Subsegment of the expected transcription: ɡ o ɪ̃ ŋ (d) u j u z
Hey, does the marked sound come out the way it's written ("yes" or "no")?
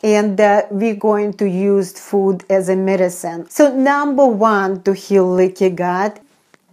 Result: no